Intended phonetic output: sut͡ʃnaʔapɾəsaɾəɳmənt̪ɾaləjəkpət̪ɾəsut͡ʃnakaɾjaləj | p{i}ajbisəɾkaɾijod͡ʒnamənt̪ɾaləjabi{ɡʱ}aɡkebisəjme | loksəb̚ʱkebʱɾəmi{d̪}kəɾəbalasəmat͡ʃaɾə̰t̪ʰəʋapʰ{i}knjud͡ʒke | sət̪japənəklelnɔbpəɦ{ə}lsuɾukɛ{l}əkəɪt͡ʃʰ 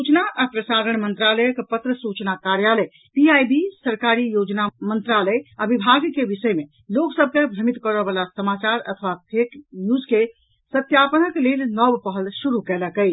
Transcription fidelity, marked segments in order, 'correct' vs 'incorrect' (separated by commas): correct, incorrect, incorrect, incorrect, correct, correct